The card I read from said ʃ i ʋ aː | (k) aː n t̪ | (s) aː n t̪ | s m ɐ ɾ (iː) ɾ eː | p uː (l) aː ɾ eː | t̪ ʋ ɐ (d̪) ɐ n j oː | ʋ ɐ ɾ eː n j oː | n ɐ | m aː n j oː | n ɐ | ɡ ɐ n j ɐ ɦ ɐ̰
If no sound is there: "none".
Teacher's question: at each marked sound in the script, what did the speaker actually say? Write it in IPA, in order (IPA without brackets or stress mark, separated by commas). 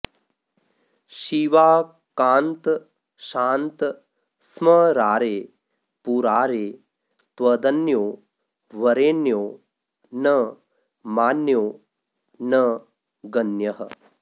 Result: k, ʃ, aː, ɾ, d̪